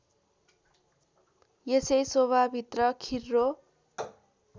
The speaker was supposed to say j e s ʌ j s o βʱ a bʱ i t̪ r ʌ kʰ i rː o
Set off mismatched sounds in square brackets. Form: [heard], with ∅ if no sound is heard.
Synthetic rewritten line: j e s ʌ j s o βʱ a bʱ i t̪ r ʌ kʰ i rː o